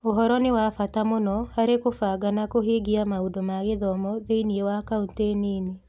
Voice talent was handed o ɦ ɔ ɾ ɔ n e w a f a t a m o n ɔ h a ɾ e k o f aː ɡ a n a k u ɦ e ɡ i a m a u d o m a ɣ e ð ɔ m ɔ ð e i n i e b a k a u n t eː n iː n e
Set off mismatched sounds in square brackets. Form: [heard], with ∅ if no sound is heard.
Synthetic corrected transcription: o ɦ ɔ ɾ ɔ n e w a f a t a m o n ɔ h a ɾ e k o f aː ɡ a n a k [o] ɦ e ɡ i a m a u d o m a ɣ e ð ɔ m ɔ ð e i n i e [w] a k a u n t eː n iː n e